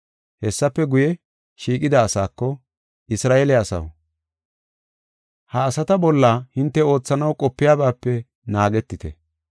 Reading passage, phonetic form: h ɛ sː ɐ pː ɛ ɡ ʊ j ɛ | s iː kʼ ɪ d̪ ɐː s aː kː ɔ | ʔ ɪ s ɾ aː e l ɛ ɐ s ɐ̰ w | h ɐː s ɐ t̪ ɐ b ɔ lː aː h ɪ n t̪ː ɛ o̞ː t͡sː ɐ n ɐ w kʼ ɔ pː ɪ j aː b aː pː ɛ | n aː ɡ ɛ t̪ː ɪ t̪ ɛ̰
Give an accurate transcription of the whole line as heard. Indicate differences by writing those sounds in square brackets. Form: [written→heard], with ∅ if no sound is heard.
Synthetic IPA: h ɛ sː ɐ pː ɛ ɡ ʊ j ɛ | [s→ʃ] iː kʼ ɪ d̪ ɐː s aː kː ɔ | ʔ ɪ s ɾ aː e l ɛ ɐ s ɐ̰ w | h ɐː s ɐ t̪ ɐ b ɔ lː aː h ɪ n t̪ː ɛ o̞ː t͡sː ɐ n ɐ w kʼ ɔ pː ɪ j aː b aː pː ɛ | n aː ɡ ɛ t̪ː ɪ t̪ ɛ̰